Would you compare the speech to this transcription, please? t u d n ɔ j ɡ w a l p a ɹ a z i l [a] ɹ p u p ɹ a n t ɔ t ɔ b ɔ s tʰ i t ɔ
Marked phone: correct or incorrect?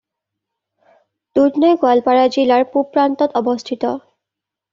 correct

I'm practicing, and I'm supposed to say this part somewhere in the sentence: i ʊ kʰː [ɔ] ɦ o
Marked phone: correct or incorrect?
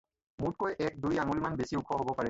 correct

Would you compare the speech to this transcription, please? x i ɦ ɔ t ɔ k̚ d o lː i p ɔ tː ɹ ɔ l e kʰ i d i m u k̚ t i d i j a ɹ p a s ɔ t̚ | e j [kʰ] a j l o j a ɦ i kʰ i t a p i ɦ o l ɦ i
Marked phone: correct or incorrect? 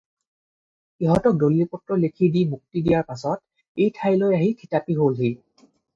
incorrect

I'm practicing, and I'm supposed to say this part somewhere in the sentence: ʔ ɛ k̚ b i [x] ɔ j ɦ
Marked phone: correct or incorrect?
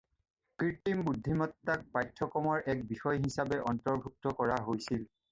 correct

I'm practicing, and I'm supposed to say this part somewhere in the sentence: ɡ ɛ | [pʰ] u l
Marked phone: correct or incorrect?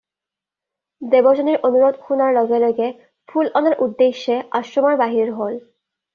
correct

